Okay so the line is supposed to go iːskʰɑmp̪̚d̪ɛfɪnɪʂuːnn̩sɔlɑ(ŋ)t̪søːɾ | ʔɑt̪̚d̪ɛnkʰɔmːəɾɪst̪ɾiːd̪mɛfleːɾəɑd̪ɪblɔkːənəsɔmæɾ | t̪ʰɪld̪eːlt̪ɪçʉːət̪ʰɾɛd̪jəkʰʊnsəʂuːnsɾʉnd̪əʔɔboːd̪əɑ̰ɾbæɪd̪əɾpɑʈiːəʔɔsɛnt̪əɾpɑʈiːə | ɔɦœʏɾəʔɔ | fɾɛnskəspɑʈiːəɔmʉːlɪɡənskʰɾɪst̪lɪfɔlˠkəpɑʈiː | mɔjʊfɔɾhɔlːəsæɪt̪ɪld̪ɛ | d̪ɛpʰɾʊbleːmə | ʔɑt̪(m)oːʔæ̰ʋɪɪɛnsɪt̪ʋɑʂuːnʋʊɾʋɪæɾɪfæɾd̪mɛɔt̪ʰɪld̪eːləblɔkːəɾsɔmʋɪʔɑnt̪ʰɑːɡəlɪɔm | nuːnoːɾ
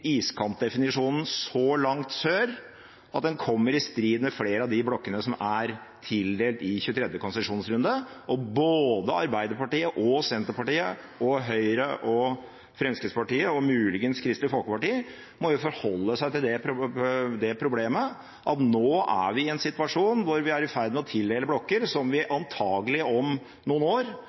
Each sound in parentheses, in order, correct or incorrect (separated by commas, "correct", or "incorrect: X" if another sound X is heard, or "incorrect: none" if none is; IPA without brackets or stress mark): correct, incorrect: n